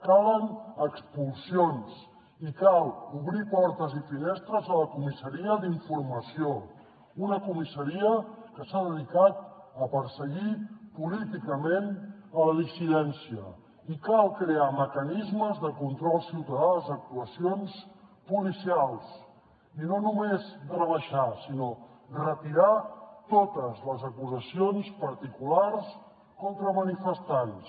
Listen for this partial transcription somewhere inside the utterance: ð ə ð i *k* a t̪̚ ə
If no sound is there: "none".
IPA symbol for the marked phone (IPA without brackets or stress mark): k